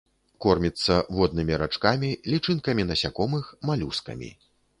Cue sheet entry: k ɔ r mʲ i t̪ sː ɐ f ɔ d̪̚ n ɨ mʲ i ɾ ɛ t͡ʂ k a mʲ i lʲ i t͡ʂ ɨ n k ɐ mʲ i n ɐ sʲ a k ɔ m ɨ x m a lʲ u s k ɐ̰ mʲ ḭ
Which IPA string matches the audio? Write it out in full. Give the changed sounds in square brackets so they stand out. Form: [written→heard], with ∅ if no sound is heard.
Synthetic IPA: k ɔ r mʲ i t̪ sː ɐ [f→v] ɔ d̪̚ n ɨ mʲ i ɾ [ɛ→a] t͡ʂ k a mʲ i lʲ i t͡ʂ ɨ n k ɐ mʲ i n ɐ sʲ a k ɔ m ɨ x m a lʲ u s k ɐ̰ mʲ ḭ